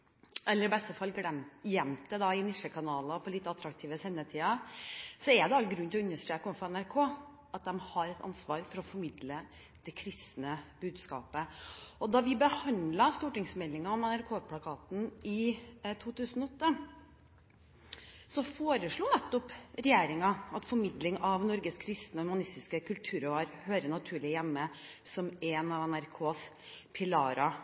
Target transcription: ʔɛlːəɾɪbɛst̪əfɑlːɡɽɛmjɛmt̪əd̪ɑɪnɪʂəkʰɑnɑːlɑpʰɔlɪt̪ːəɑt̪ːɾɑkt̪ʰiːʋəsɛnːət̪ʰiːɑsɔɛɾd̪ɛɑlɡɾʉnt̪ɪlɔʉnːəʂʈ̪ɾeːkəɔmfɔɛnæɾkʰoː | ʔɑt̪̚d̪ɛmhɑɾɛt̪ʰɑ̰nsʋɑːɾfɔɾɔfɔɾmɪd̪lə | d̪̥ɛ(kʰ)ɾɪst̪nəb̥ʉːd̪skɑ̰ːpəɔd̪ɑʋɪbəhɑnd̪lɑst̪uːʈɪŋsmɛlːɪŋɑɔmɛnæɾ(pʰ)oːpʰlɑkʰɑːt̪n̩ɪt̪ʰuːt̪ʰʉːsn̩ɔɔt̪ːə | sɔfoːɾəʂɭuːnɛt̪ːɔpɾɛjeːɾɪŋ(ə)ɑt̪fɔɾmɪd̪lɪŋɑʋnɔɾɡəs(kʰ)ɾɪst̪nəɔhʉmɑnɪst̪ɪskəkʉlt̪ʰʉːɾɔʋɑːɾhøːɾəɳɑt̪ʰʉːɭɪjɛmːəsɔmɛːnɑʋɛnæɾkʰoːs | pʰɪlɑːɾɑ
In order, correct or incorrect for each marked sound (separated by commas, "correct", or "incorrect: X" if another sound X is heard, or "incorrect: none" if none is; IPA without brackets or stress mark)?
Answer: correct, incorrect: kʰ, incorrect: ɑ, correct